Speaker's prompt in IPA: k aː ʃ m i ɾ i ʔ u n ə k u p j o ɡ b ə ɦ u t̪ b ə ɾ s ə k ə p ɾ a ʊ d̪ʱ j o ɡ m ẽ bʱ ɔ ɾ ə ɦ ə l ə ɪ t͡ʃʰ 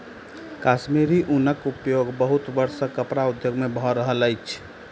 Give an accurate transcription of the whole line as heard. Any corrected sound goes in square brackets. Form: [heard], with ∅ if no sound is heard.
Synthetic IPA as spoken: k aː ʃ m i ɾ i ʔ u n ə k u p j o ɡ b ə ɦ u t̪ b ə ɾ s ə k ə p ɾ a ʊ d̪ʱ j o ɡ m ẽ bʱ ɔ ɾ ə ɦ ə l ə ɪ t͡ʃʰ

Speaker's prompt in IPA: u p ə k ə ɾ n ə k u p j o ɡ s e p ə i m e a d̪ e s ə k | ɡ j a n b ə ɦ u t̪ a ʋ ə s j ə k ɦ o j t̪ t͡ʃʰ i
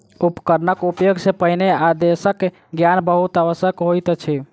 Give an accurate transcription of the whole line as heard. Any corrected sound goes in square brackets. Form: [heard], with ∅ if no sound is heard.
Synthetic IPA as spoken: u p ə k ə ɾ n ə k u p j o ɡ s e p ə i [n] e a d̪ e s ə k | ɡ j a n b ə ɦ u t̪ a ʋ ə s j ə k ɦ o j t̪ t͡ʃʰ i

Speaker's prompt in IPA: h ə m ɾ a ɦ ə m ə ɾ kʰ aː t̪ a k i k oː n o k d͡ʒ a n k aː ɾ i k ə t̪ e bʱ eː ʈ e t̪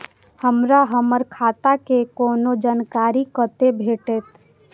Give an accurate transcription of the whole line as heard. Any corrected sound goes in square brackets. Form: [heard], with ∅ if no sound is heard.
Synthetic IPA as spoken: h ə m ɾ a ɦ ə m ə ɾ kʰ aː t̪ a k [e] k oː n o [∅] d͡ʒ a n k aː ɾ i k ə t̪ e bʱ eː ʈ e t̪

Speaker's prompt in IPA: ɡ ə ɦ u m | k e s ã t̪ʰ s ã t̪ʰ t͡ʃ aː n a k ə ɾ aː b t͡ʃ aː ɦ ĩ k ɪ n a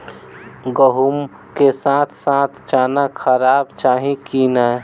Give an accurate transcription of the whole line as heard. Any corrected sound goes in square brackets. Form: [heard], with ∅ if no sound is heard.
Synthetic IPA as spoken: ɡ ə ɦ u m | k e s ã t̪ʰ s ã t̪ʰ t͡ʃ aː n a [kʰ] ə ɾ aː b t͡ʃ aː ɦ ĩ k [i] n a

